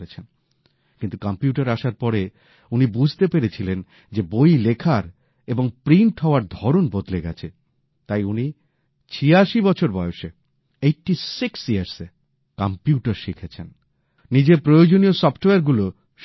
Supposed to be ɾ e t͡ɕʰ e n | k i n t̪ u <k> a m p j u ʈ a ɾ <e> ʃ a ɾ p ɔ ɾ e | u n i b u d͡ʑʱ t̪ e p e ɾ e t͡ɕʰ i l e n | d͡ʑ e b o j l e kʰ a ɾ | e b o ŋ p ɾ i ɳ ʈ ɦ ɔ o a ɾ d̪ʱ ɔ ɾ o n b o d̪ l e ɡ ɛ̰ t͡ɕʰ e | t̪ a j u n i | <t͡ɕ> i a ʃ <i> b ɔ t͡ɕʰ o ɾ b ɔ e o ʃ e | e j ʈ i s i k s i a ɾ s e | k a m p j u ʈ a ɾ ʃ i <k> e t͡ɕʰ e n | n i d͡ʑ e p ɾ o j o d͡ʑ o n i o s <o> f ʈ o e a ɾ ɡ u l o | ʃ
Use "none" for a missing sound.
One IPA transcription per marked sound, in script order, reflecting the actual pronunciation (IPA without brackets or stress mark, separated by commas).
k, a, t͡ɕʰ, i, kʰ, ɔ